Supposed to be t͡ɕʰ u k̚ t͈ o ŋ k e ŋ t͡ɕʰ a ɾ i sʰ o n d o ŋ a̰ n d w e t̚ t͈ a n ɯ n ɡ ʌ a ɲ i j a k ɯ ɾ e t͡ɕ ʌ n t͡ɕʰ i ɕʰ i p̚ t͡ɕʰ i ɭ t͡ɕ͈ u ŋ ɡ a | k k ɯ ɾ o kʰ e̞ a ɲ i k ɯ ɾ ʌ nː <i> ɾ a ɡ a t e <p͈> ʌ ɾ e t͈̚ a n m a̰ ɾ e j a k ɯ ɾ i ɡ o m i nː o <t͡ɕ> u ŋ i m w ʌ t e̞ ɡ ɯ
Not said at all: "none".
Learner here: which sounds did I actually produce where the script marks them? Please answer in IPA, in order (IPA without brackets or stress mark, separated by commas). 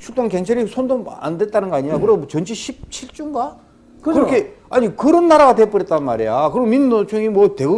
a, p͈, t͡ɕʰ